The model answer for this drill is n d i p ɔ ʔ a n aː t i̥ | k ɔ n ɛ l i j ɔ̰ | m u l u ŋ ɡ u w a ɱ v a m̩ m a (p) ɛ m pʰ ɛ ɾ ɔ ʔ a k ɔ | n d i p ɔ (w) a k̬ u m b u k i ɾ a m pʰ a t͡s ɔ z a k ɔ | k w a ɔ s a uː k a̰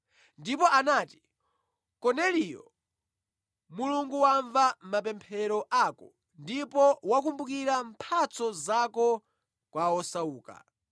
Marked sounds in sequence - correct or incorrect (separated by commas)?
correct, correct